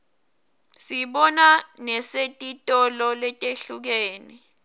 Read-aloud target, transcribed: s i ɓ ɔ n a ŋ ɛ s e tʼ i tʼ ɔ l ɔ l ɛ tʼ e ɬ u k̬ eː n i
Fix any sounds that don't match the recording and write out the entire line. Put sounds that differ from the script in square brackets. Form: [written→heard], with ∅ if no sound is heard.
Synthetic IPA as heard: s i ɓ ɔ n a [ŋ→n] ɛ s e tʼ i tʼ ɔ l ɔ l ɛ tʼ e ɬ u k̬ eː n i